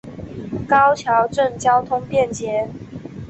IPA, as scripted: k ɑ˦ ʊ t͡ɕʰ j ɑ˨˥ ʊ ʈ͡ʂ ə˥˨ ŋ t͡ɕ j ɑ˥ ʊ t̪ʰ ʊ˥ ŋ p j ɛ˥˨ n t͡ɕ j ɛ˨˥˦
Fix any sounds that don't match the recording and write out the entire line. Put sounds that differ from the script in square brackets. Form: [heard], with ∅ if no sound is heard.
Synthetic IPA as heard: k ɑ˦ ʊ t͡ɕʰ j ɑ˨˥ ʊ ʈ͡ʂ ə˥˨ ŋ t͡ɕ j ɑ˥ ʊ t̪ʰ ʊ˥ ŋ p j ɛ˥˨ n t͡ɕ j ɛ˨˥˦

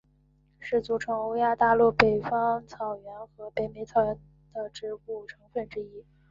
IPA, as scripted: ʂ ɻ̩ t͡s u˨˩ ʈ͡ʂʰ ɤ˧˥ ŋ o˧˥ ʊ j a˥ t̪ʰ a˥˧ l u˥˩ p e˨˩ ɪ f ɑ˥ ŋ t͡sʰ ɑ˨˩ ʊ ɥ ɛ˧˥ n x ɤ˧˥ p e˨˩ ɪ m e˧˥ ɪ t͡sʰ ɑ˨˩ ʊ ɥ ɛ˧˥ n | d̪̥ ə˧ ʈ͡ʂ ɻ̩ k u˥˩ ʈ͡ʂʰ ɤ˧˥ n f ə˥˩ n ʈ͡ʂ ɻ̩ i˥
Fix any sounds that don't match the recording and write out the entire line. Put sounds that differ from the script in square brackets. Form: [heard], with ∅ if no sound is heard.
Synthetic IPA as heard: ʂ ɻ̩ t͡s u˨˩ ʈ͡ʂʰ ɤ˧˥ ŋ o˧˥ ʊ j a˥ [t̪] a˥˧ l u˥˩ p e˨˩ ɪ f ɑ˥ ŋ t͡sʰ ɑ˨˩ ʊ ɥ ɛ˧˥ n x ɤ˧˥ p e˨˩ ɪ m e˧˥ ɪ t͡sʰ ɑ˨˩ ʊ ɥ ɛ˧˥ n | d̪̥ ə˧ ʈ͡ʂ ɻ̩ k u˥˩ ʈ͡ʂʰ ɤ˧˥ [ŋ] f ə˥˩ n ʈ͡ʂ ɻ̩ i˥

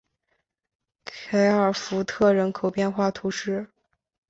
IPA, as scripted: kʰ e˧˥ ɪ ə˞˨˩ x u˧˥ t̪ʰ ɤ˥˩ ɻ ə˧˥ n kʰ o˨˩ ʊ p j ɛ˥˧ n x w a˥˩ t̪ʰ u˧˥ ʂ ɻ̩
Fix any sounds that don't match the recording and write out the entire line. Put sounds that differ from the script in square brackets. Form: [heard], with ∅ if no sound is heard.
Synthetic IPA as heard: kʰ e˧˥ ɪ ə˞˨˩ [f] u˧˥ t̪ʰ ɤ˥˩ ɻ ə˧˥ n kʰ o˨˩ ʊ p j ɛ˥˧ n x w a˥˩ t̪ʰ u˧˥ ʂ ɻ̩

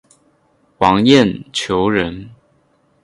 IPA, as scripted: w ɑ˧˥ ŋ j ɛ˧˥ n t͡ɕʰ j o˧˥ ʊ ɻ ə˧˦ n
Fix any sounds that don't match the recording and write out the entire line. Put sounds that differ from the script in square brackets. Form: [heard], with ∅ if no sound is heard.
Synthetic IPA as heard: w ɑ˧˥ ŋ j [ɛ˥˨] n t͡ɕʰ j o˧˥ ʊ ɻ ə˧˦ n

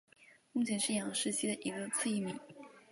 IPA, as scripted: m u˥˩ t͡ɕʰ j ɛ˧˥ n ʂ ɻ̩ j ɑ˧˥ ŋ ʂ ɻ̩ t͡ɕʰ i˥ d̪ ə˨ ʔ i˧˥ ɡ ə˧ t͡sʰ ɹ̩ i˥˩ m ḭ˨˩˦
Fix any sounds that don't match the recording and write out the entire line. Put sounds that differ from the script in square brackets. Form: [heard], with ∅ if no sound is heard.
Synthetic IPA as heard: m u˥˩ t͡ɕʰ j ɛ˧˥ n ʂ ɻ̩ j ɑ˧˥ ŋ ʂ ɻ̩ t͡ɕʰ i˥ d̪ ə˨ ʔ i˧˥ ɡ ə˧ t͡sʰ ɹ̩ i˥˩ m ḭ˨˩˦

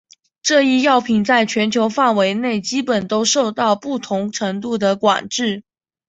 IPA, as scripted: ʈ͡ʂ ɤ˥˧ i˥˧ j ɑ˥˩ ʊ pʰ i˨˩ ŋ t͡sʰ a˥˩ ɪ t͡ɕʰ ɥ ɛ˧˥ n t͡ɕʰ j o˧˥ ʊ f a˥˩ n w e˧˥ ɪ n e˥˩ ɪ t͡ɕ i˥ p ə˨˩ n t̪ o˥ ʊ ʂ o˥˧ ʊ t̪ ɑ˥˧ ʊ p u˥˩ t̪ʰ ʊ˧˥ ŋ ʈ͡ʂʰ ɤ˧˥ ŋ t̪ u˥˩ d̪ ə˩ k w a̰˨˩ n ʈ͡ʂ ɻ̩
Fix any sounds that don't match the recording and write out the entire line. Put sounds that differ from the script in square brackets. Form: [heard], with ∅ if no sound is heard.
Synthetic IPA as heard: ʈ͡ʂ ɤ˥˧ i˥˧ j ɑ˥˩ ʊ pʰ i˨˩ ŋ [t͡s] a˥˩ ɪ t͡ɕʰ ɥ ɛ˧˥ n t͡ɕʰ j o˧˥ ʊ f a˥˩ n w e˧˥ ɪ n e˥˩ ɪ t͡ɕ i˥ p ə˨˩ n t̪ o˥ ʊ ʂ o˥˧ ʊ t̪ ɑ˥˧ ʊ p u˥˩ t̪ʰ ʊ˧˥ ŋ ʈ͡ʂʰ ɤ˧˥ ŋ t̪ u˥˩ d̪ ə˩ k w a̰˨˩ n ʈ͡ʂ ɻ̩

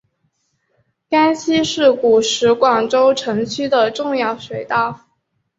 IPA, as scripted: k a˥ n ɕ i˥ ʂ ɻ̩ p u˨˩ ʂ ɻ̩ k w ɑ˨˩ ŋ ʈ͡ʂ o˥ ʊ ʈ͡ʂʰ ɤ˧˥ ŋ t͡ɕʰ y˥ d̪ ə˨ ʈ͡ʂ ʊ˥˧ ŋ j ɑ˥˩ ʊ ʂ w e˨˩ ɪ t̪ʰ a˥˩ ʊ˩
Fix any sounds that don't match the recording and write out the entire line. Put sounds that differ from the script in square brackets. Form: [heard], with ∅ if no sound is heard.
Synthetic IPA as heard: k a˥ n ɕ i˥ ʂ ɻ̩ [k] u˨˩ ʂ ɻ̩ k w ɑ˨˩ ŋ ʈ͡ʂ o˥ ʊ ʈ͡ʂʰ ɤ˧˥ ŋ t͡ɕʰ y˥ d̪ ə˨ ʈ͡ʂ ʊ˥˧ ŋ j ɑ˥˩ ʊ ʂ w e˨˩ ɪ [t̪] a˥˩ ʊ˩

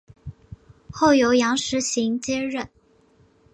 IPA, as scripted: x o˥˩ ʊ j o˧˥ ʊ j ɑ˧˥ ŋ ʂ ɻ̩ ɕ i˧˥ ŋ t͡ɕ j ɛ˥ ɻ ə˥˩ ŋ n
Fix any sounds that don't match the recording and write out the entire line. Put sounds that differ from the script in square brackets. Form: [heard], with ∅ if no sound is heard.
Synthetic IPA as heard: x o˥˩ ʊ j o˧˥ ʊ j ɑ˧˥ ŋ ʂ ɻ̩ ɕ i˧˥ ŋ t͡ɕ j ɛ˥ ɻ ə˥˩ [∅] n

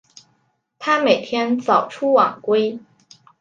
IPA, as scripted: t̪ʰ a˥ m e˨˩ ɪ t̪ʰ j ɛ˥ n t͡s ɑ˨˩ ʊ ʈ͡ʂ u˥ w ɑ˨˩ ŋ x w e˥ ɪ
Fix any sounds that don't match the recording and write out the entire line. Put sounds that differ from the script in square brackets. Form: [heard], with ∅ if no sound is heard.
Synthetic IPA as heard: t̪ʰ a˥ m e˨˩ ɪ t̪ʰ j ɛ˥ n t͡s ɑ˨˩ ʊ [ʈ͡ʂʰ] u˥ w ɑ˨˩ ŋ [k] w e˥ ɪ

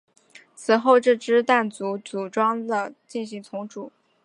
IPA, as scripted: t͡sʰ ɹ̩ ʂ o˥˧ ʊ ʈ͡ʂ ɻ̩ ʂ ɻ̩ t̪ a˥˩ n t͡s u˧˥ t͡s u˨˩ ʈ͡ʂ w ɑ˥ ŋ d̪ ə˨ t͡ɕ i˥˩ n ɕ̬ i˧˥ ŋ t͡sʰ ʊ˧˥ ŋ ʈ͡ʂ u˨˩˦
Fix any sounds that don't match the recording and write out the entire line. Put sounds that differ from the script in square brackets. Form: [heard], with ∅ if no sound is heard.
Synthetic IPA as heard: t͡sʰ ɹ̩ [x] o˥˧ ʊ ʈ͡ʂ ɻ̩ [ʈ͡ʂ] ɻ̩ t̪ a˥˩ n t͡s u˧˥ t͡s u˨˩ ʈ͡ʂ w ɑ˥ ŋ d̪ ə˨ t͡ɕ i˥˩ n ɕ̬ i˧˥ ŋ t͡sʰ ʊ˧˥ ŋ ʈ͡ʂ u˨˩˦

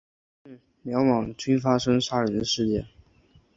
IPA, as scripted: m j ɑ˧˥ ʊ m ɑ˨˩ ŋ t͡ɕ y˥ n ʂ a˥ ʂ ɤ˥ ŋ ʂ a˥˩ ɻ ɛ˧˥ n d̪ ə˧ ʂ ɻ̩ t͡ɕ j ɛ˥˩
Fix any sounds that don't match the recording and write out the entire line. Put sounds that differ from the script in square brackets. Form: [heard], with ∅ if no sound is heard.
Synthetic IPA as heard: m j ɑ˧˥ ʊ m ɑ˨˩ ŋ t͡ɕ y˥ n [f] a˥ ʂ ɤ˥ ŋ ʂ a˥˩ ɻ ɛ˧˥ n d̪ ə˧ ʂ ɻ̩ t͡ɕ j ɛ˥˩

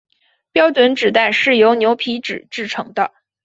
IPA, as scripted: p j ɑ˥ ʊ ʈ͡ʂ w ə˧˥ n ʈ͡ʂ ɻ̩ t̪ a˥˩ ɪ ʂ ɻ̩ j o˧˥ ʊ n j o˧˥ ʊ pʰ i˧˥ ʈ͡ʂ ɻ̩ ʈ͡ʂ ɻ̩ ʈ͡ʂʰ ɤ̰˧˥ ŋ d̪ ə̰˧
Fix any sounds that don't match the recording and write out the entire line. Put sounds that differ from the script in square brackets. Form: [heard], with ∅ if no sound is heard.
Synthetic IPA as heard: p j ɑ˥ ʊ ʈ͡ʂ w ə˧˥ n ʈ͡ʂ ɻ̩ t̪ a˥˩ ɪ ʂ ɻ̩ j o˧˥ ʊ n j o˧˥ ʊ pʰ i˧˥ ʈ͡ʂ ɻ̩ ʈ͡ʂ ɻ̩ ʈ͡ʂʰ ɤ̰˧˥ ŋ d̪ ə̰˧

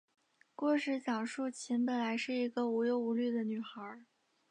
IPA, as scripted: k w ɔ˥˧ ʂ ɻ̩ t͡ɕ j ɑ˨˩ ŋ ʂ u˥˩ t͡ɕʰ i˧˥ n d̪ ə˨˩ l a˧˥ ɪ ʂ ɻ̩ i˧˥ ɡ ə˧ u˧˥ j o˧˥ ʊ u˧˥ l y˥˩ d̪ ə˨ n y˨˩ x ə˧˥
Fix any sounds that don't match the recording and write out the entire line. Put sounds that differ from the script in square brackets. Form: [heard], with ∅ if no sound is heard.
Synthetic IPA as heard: k w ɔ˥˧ ʂ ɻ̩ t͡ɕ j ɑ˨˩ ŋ ʂ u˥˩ t͡ɕʰ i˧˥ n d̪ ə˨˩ l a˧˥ ɪ ʂ ɻ̩ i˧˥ ɡ ə˧ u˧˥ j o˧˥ ʊ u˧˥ l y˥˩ d̪ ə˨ n y˨˩ x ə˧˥

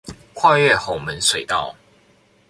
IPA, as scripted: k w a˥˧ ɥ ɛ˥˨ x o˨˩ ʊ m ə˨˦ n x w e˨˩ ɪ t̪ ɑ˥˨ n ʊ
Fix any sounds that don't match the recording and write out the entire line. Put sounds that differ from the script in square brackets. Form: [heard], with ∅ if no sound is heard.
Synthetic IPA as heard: [kʰ] w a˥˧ ɥ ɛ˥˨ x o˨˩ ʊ m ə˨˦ n [s] w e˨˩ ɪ t̪ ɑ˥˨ [∅] ʊ

